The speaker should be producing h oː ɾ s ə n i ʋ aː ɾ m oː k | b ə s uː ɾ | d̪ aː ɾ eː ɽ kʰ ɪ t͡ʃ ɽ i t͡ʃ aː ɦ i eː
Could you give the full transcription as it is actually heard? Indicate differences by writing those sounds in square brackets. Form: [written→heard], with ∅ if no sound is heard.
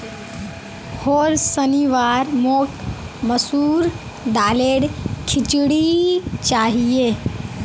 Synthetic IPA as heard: h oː ɾ s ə n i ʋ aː ɾ m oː k | [b→m] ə s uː ɾ | d̪ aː [ɾ→l] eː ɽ kʰ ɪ t͡ʃ ɽ i t͡ʃ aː ɦ i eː

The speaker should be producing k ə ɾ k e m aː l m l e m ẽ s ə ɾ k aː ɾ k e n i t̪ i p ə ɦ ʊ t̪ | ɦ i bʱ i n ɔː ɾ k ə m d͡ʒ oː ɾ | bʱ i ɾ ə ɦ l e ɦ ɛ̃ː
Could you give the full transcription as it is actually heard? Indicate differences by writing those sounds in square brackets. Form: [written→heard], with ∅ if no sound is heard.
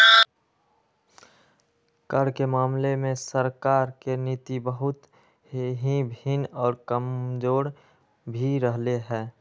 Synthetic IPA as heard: k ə ɾ k e m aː [l→∅] m l e m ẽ s ə ɾ k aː ɾ k e n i t̪ i [p→b] ə ɦ ʊ t̪ | ɦ i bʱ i n ɔː ɾ k ə m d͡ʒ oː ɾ | bʱ i ɾ ə ɦ l e ɦ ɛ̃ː

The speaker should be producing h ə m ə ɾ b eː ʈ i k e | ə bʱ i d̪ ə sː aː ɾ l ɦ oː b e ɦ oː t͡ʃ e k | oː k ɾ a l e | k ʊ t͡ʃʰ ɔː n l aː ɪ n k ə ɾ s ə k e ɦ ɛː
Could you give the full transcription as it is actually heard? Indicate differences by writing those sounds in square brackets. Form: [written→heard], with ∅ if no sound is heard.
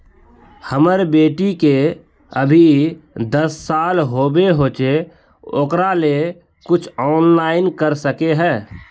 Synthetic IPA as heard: h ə m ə ɾ b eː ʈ i k e | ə bʱ i d̪ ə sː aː [ɾ→∅] l ɦ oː b e ɦ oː t͡ʃ e [k→∅] | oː k ɾ a l e | k ʊ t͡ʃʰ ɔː n l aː ɪ n k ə ɾ s ə k e ɦ ɛː

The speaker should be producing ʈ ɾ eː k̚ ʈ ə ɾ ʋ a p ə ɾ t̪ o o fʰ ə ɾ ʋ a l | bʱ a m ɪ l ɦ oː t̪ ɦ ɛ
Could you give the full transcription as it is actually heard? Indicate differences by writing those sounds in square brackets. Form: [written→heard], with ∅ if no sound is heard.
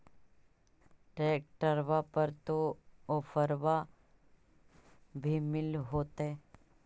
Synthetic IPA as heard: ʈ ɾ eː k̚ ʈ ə ɾ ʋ a p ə ɾ t̪ o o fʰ ə ɾ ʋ a [l→∅] | bʱ [a→i] m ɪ l ɦ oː t̪ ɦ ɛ

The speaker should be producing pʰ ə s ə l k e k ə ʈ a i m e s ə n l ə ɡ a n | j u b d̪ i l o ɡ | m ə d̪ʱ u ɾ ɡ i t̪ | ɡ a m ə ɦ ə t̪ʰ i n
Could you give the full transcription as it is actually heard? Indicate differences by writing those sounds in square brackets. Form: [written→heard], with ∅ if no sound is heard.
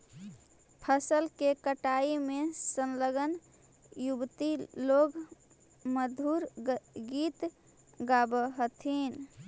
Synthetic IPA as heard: pʰ ə s ə l k e k ə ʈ a i m e s ə n l ə ɡ [a→ə] n | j u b [d̪→t̪] i l o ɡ | m ə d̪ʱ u ɾ ɡ i t̪ | ɡ a [m→b] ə ɦ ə t̪ʰ i n

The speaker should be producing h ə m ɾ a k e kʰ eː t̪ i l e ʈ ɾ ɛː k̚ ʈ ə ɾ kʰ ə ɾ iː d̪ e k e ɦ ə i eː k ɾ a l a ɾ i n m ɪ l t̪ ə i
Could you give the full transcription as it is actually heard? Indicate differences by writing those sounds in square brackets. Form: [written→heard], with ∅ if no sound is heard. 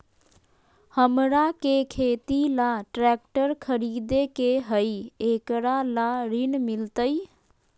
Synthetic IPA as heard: h ə m ɾ a k e kʰ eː t̪ i l [e→a] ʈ ɾ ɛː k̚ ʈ ə ɾ kʰ ə ɾ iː d̪ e k e ɦ ə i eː k ɾ a l a ɾ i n m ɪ l t̪ ə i

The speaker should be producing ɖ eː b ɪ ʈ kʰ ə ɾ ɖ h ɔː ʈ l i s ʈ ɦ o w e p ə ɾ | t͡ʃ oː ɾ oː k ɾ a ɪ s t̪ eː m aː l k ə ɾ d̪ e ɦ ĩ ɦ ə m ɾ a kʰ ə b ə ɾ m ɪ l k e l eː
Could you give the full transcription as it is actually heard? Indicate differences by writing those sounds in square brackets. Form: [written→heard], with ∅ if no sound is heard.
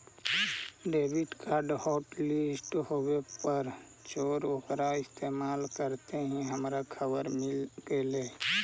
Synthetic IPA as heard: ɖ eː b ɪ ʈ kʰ [ə→a] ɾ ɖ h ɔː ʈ l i s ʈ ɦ o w e p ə ɾ | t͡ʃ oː ɾ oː k ɾ a ɪ s t̪ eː m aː l k ə ɾ [d̪→t̪] e ɦ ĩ ɦ ə m ɾ a kʰ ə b ə ɾ m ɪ l k e l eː

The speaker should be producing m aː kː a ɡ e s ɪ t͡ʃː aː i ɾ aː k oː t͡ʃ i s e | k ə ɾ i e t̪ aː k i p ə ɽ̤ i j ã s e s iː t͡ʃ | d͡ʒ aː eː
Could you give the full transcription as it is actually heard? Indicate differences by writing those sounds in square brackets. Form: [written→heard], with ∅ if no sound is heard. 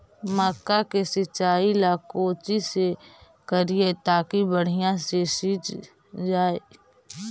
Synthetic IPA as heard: m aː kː a [ɡ→k] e s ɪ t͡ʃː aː i [ɾ→l] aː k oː t͡ʃ i s e | k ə ɾ i e t̪ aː k i [p→b] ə ɽ̤ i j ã s e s iː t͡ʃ | d͡ʒ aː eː

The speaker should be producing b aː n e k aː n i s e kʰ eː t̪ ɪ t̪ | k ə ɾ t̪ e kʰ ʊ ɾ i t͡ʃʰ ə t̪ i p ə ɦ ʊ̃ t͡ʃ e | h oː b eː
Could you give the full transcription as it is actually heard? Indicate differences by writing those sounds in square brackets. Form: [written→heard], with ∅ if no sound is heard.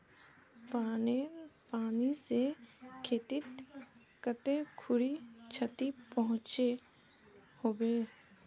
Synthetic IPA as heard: [b→p] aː n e [k→p] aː n i s e kʰ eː t̪ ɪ t̪ | k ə [ɾ→∅] t̪ e kʰ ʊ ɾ i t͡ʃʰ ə t̪ i p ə ɦ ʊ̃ t͡ʃ e | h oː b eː

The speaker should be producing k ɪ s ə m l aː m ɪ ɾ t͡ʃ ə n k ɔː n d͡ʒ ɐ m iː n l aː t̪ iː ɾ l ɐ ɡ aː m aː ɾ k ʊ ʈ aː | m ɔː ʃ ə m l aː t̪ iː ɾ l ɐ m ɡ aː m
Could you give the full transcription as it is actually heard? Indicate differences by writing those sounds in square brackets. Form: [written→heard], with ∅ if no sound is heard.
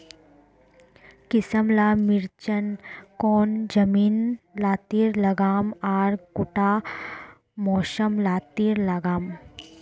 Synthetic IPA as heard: k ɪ s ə m l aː m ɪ ɾ t͡ʃ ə n k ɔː n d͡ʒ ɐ m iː n l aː t̪ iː ɾ l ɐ ɡ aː m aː ɾ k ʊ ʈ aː | m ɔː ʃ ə m l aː t̪ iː ɾ l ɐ [m→∅] ɡ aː m

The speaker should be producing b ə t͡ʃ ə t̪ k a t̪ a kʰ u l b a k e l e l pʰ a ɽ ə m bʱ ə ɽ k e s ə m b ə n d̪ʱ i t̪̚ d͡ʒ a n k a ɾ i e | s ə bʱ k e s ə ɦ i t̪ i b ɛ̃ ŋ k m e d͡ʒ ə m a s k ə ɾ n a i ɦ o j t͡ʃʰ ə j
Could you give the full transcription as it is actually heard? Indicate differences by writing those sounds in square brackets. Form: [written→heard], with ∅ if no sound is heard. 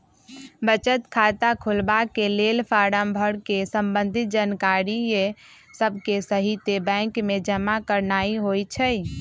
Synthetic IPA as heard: b ə t͡ʃ ə t̪ [k→kʰ] a t̪ a kʰ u l b a k e l e l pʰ a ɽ ə m bʱ ə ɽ k e s ə m b ə n d̪ʱ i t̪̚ d͡ʒ a n k a ɾ i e | s ə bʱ k e s ə ɦ i t̪ [i→e] b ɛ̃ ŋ k m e d͡ʒ ə m a [s→∅] k ə ɾ n a i ɦ o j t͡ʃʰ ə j

